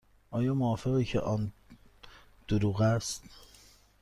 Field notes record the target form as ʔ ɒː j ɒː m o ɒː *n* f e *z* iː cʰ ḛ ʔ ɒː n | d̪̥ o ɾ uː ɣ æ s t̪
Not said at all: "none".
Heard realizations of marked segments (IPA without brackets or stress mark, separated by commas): none, ɣ